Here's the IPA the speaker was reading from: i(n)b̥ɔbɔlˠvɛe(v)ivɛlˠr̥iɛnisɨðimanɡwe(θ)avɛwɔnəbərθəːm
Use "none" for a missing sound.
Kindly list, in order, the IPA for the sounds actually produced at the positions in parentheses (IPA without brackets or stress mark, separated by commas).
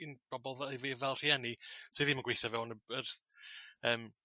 n, v, θ